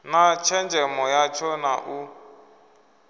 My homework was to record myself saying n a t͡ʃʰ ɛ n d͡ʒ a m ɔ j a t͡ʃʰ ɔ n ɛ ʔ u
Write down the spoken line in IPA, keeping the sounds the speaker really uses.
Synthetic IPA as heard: n a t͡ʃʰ ɛ n d͡ʒ ɛ m ɔ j a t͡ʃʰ ɔ n a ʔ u